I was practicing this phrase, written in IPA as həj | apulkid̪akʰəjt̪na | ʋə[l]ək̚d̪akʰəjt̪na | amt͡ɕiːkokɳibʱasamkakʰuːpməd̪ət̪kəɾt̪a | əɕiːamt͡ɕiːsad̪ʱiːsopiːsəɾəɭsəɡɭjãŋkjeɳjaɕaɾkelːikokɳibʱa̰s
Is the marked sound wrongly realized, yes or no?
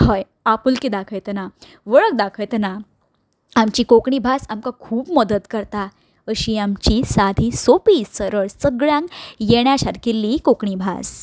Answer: yes